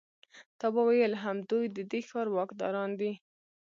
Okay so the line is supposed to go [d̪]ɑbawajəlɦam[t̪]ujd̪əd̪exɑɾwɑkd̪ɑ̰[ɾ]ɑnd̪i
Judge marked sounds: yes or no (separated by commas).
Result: no, no, yes